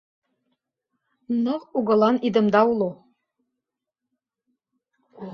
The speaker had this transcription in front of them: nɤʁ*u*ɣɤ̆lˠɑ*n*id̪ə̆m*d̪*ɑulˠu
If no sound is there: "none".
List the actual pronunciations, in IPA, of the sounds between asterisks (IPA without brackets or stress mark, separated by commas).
u, n, d̪